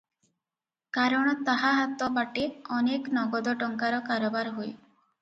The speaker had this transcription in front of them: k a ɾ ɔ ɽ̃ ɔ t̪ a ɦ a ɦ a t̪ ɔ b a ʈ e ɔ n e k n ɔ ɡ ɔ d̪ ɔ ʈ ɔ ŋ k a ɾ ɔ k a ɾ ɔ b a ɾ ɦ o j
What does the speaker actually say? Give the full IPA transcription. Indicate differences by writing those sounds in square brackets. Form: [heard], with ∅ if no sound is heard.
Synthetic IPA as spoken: k a ɾ ɔ ɽ̃ ɔ t̪ a ɦ a ɦ a t̪ ɔ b a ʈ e ɔ n e k n ɔ ɡ ɔ d̪ ɔ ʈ ɔ ŋ k a ɾ ɔ k a ɾ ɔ b a ɾ ɦ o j